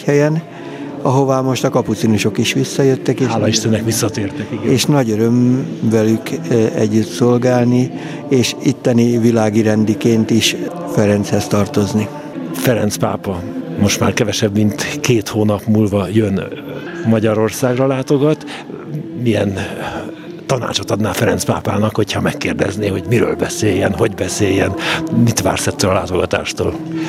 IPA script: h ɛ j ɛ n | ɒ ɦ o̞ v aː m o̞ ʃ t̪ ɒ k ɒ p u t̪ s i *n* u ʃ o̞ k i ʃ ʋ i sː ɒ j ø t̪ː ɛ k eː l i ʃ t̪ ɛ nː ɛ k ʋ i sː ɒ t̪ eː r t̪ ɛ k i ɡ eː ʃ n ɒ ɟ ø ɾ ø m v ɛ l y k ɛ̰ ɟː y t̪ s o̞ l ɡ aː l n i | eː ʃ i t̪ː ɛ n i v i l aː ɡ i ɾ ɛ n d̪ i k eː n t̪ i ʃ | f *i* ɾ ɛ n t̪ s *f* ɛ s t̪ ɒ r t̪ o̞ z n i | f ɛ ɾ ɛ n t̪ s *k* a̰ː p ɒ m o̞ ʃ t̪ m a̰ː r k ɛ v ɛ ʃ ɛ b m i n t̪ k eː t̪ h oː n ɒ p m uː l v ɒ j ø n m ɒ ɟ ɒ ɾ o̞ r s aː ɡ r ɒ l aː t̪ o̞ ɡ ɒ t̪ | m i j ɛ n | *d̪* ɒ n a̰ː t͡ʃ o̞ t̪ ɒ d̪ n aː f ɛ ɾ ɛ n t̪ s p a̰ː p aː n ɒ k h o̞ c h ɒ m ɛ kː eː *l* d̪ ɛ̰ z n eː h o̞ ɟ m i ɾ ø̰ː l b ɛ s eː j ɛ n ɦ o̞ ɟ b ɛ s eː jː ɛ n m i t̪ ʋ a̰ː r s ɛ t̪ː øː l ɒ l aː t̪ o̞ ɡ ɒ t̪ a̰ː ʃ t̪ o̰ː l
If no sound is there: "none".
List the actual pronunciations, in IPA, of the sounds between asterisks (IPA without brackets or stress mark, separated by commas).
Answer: n, ɛ, h, p, t̪, r